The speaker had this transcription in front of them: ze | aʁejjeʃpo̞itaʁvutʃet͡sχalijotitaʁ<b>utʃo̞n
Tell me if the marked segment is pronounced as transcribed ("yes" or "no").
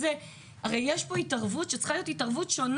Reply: no